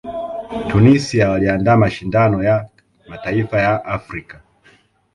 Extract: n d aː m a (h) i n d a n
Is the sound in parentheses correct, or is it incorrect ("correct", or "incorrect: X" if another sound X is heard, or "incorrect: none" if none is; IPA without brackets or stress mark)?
incorrect: ʃ